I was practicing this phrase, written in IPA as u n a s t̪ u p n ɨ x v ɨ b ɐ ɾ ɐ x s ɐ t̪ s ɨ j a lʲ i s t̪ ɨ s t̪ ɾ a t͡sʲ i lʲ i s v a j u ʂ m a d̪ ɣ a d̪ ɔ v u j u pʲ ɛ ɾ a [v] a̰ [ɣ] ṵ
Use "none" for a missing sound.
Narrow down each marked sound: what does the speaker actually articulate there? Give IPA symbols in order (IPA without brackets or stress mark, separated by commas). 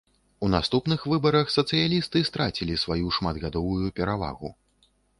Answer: v, ɣ